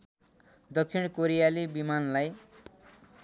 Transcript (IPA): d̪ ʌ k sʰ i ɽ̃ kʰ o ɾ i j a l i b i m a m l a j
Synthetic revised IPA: d̪ ʌ k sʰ i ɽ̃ k o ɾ i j a l i b i m a n l a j